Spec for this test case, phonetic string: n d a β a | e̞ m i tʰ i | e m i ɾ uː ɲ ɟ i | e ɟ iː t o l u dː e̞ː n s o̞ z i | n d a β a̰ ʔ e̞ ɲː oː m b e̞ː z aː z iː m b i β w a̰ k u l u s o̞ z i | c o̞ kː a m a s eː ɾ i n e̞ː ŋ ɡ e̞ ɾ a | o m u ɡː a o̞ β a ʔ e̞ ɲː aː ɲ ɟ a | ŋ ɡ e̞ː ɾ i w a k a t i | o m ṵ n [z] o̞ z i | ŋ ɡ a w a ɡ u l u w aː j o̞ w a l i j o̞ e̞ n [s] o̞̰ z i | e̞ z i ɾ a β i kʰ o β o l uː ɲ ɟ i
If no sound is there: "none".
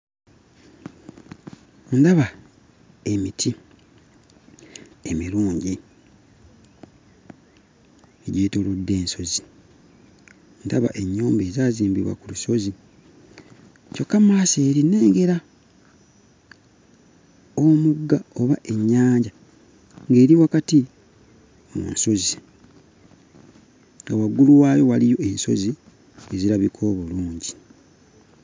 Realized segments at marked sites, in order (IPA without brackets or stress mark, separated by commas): s, s